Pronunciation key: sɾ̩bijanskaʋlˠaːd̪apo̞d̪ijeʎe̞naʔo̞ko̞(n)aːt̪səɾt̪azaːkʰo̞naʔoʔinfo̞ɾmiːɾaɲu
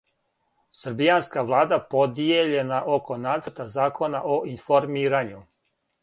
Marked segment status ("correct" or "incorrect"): correct